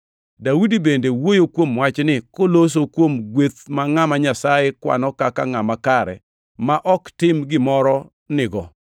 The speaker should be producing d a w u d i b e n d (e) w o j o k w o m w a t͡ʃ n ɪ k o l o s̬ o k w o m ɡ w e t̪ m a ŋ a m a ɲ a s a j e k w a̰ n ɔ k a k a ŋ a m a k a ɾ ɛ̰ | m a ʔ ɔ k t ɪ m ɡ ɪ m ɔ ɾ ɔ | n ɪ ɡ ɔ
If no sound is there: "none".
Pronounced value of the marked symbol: e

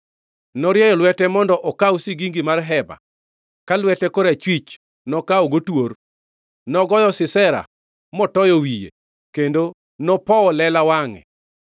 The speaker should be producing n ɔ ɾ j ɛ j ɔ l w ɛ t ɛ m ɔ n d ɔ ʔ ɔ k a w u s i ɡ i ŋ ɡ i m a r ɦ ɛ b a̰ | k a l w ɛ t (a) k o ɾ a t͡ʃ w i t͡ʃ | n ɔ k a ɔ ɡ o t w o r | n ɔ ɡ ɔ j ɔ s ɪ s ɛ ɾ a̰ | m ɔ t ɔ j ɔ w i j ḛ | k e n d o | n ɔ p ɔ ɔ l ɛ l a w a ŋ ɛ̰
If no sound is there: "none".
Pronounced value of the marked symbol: ɛ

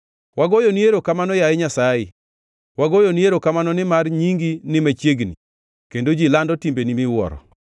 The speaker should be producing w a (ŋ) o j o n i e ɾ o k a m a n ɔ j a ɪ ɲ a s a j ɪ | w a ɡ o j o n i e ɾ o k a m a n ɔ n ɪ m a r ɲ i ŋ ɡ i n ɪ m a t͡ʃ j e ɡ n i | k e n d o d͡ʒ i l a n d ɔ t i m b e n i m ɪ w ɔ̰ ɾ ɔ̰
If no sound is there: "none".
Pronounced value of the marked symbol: ɡ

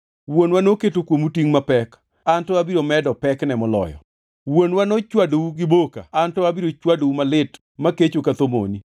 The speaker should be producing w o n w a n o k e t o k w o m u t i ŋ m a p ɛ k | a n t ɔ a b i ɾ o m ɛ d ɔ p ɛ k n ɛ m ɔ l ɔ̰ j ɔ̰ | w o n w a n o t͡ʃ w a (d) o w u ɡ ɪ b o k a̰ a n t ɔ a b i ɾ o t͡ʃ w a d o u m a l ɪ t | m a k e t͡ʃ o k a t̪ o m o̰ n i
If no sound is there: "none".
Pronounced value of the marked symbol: d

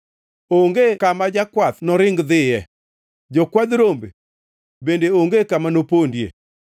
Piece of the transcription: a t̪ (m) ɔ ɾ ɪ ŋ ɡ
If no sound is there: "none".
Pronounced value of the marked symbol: n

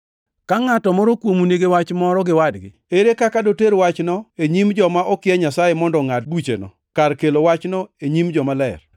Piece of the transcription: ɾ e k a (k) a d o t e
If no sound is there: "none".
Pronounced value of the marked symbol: k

